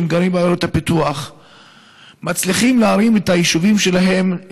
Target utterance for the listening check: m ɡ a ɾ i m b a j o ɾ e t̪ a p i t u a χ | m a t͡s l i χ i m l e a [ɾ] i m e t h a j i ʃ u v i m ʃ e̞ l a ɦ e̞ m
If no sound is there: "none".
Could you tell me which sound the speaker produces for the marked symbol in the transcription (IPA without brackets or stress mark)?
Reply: ɾ